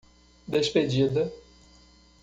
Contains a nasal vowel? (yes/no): no